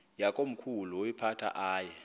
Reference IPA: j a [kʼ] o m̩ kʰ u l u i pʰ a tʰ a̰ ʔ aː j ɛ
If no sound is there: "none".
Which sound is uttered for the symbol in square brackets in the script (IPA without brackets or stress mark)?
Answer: kʼ